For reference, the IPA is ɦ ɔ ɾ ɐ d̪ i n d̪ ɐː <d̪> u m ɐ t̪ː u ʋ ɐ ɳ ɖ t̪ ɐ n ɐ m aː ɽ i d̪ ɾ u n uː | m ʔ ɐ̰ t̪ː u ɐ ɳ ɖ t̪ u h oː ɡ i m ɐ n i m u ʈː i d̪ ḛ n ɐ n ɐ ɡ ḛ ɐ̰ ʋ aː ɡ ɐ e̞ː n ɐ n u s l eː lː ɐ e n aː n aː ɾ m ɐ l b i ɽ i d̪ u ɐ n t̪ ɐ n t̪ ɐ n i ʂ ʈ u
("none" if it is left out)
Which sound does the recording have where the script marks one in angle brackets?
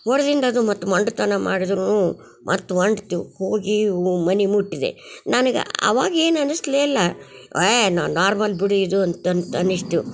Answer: d̪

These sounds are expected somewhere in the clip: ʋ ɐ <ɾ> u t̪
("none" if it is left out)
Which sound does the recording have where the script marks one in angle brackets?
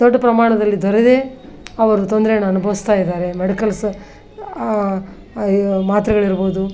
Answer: ɾ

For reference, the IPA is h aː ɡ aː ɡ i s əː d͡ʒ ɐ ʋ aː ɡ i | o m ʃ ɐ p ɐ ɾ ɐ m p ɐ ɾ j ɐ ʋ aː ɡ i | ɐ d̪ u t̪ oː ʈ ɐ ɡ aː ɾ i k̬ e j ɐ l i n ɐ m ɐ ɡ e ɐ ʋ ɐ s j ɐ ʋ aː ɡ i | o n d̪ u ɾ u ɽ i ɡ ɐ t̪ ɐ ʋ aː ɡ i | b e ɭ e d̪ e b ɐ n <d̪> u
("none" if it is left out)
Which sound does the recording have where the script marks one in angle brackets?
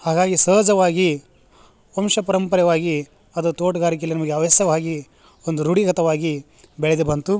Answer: t̪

